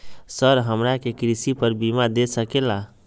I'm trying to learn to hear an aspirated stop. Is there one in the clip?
no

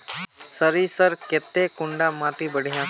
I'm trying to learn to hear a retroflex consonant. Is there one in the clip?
yes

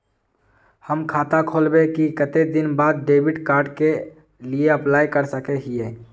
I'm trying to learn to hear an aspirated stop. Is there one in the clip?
yes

